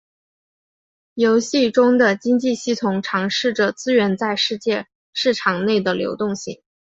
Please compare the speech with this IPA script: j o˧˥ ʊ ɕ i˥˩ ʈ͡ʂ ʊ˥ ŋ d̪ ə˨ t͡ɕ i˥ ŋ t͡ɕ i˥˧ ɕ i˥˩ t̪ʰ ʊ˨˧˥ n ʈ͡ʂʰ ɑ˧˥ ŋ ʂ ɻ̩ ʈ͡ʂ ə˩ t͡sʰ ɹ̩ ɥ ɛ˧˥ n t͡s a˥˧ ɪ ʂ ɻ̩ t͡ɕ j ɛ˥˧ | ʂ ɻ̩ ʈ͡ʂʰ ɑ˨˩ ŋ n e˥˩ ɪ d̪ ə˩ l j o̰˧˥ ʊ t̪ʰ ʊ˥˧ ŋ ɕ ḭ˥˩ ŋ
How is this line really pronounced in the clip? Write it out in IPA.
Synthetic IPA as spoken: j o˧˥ ʊ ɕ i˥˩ ʈ͡ʂ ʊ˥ ŋ d̪ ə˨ t͡ɕ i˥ ŋ t͡ɕ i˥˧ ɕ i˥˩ t̪ʰ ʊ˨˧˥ ŋ ʈ͡ʂʰ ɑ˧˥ ŋ ʂ ɻ̩ ʈ͡ʂ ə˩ t͡s ɹ̩ ɥ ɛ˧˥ n t͡s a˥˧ ɪ ʂ ɻ̩ t͡ɕ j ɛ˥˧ | ʂ ɻ̩ ʈ͡ʂʰ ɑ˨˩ ŋ n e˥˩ ɪ d̪ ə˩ l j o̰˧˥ ʊ t̪ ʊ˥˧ ŋ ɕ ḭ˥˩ ŋ